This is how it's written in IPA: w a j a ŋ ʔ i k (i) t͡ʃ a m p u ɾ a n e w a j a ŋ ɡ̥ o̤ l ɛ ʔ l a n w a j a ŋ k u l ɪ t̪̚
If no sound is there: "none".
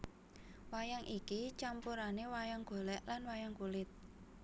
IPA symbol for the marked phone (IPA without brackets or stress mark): i